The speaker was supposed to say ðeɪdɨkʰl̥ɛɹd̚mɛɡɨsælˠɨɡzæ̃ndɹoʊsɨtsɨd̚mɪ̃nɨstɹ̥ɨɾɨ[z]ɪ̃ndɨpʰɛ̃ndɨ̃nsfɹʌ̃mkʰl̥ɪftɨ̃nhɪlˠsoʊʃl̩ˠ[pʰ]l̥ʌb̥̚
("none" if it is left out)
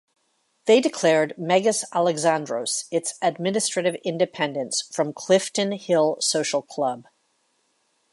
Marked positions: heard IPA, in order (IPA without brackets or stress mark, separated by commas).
v, kʰ